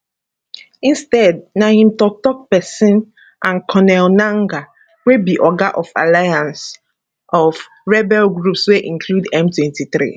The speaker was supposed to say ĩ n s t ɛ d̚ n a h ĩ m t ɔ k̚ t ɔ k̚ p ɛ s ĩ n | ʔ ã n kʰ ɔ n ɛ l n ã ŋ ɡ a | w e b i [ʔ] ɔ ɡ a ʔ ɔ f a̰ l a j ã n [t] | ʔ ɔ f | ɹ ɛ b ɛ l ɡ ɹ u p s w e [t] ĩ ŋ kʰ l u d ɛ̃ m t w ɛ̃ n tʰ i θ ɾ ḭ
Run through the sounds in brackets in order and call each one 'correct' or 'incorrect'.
correct, incorrect: s, incorrect: ʔ

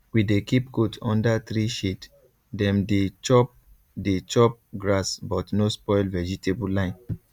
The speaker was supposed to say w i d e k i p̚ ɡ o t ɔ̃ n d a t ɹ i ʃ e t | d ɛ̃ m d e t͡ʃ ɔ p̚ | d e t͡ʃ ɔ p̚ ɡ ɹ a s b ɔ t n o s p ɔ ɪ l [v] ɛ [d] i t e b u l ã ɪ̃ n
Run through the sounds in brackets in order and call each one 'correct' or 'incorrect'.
correct, incorrect: d͡ʒ

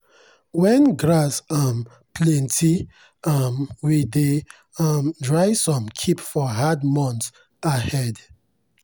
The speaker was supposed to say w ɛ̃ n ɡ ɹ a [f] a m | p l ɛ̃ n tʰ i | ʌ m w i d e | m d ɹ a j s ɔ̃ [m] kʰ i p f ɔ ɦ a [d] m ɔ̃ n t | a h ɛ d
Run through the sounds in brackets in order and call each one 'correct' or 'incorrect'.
incorrect: s, correct, correct

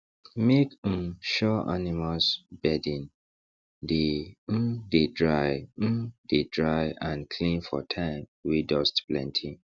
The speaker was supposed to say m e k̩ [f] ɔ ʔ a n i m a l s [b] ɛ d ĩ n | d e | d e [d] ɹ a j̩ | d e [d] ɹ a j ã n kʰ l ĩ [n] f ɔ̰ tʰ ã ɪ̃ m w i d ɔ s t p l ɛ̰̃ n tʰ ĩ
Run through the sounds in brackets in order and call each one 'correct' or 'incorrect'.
incorrect: ʃ, correct, correct, correct, correct

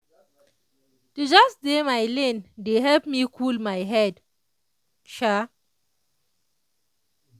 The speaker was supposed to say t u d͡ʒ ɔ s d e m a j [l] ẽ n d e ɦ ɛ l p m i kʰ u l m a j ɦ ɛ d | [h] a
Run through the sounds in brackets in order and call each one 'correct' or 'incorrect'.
correct, incorrect: ʃ

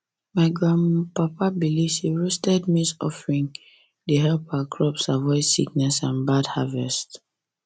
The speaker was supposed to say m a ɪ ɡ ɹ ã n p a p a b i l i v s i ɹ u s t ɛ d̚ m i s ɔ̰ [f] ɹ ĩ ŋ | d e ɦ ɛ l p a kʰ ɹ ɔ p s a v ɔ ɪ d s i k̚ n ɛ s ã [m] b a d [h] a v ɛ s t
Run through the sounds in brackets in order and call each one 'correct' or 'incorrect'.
correct, incorrect: n, correct

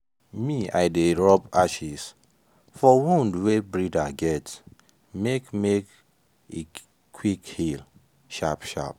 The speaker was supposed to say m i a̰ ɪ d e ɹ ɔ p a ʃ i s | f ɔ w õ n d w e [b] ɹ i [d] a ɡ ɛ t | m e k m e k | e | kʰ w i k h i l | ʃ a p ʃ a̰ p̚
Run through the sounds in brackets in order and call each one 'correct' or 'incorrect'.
correct, correct

